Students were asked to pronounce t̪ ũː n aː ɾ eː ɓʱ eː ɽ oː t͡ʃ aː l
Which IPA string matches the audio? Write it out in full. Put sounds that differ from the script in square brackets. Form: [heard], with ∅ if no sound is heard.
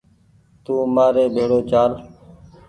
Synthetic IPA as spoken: t̪ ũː [m] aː ɾ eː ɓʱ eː ɽ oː t͡ʃ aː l